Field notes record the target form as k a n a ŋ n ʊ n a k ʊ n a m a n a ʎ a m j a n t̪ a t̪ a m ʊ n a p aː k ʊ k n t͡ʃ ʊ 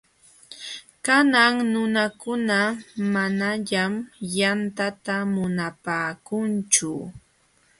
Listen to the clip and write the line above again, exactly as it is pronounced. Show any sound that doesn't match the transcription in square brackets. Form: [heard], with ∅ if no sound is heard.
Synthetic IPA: k a n a ŋ n ʊ n a k ʊ n a m a n a ʎ a m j a n t̪ a t̪ a m ʊ n a p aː k ʊ [∅] n t͡ʃ ʊ